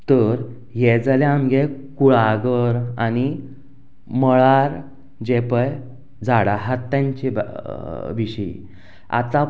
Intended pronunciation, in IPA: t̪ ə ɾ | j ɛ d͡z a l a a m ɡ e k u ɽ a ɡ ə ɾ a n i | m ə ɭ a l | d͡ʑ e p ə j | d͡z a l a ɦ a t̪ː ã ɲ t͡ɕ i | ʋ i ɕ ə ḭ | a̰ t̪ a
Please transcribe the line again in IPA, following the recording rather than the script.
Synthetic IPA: t̪ ə ɾ | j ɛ d͡z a l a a m ɡ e k u ɭ a ɡ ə ɾ a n i | m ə ɭ a ɾ | d͡ʑ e p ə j | d͡z a ɽ a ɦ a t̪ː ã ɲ t͡ɕ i | ʋ i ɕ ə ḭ | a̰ t̪ a

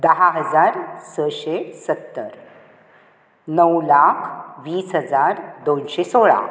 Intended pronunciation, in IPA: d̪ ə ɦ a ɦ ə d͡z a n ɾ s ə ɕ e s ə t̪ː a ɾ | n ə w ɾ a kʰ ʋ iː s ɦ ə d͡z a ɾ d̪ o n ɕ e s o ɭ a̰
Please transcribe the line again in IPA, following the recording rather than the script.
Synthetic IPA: d̪ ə ɦ a ɦ ə d͡z a ɾ s ə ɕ e s ə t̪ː ə ɾ | n ə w l a kʰ ʋ iː s ɦ ə d͡z a ɾ d̪ o n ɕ e s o ɭ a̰

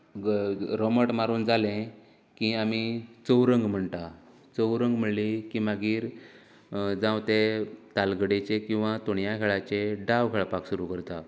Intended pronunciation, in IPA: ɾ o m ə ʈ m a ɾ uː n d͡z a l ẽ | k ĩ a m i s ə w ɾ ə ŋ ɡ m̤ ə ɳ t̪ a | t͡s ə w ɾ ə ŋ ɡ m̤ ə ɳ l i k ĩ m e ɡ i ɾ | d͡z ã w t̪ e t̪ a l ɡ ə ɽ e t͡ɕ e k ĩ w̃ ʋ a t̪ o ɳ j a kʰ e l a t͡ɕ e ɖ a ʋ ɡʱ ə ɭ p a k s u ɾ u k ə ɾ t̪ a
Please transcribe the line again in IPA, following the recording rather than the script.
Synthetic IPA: ɾ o m ə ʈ m a ɾ uː n d͡z a l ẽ | k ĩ a m i t͡s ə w ɾ ə ŋ ɡ m̤ ə ɳ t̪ a | t͡s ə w ɾ ə ŋ ɡ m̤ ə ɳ l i k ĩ m a ɡ iː ɾ | d͡z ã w t̪ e t̪ a l ɡ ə ɽ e t͡ɕ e k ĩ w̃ ʋ a t̪ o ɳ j a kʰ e ɭ a t͡ɕ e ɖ a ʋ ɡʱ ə ɭ p a k s u ɾ u k ə ɾ t̪ a

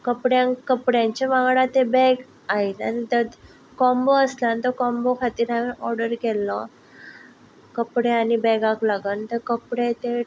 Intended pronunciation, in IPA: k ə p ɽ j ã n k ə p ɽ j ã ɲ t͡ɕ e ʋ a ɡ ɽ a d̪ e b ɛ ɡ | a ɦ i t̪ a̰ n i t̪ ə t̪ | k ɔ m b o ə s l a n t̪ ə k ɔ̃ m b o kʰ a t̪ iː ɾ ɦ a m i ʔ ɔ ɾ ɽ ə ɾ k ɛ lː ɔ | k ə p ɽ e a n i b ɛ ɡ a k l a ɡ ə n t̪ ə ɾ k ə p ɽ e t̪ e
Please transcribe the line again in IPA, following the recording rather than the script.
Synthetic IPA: k ə p ɽ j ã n k ə p ɽ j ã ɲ t͡ɕ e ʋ a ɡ ɽ a t̪ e b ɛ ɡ | a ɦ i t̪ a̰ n i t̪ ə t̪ | k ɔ m b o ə s l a n t̪ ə k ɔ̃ m b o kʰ a t̪ iː ɾ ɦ a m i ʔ ɔ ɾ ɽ ə ɾ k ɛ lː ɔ | k ə p ɽ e a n i b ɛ ɡ a k l a ɡ ə n t̪ ə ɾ k ə p ɽ e t̪ e

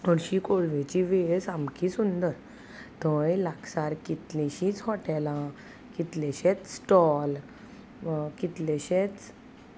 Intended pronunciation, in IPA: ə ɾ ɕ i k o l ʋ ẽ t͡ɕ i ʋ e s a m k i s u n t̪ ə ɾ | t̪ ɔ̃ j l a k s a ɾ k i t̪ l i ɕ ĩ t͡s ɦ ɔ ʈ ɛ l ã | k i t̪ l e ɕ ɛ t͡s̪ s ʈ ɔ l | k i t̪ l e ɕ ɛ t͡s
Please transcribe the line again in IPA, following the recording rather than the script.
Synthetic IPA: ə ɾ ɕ i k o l ʋ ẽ t͡ɕ i ʋ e s a m k i s u n d̪ ə ɾ | t̪ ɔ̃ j l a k s a ɾ k i t̪ l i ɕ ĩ t͡s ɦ ɔ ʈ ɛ l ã | k i t̪ l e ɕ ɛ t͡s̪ s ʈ ɔ l | k i t̪ l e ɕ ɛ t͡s

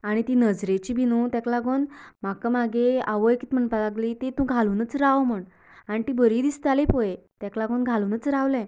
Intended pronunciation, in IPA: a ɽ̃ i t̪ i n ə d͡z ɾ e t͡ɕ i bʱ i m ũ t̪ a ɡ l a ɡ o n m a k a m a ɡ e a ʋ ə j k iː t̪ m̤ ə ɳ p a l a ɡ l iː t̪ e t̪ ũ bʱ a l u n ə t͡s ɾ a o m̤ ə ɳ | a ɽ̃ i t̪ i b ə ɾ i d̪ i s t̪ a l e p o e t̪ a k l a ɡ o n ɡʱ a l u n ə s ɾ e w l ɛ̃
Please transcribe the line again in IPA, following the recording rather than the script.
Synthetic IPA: a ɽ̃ i t̪ i n ə d͡z ɾ e t͡ɕ i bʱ i n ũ t̪ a k l a ɡ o n m a k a m a ɡ e a ʋ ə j k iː t̪ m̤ ə ɳ p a l a ɡ l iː t̪ e t̪ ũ ɡʱ a l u n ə t͡s ɾ a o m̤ ə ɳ | a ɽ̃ i t̪ i b ə ɾ i d̪ i s t̪ a l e p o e t̪ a k l a ɡ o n ɡʱ a l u n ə t͡s ɾ a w l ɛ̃

